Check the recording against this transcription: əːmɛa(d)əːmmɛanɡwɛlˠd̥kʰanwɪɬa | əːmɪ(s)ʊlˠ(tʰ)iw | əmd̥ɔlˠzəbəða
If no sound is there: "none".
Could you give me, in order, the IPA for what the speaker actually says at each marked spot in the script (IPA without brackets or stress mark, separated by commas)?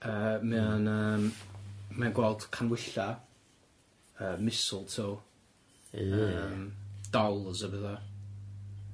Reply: n, s, tʰ